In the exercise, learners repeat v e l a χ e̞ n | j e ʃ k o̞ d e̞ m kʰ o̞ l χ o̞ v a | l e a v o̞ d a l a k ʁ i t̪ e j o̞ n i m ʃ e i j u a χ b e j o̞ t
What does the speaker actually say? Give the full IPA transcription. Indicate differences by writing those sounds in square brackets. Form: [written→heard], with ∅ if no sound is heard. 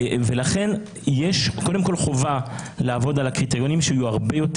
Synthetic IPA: v e l a χ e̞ n | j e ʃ k o̞ d e̞ m [kʰ→k] o̞ l χ o̞ v a | l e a v o̞ d a l a k ʁ i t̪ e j o̞ n i m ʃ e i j u a [χ→ʁ] b e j o̞ t